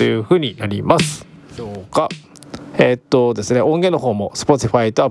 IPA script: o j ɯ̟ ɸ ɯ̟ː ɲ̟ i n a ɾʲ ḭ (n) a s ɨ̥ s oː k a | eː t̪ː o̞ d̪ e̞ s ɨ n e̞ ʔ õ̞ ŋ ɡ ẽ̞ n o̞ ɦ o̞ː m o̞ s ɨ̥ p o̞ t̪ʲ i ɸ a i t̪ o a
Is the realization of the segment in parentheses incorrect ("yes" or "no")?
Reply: yes